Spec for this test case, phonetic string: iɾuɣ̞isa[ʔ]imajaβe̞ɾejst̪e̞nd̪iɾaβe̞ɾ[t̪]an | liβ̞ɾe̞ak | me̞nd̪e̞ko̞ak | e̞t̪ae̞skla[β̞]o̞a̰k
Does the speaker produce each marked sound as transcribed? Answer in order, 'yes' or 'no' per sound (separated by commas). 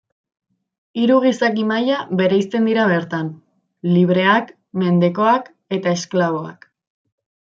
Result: no, yes, yes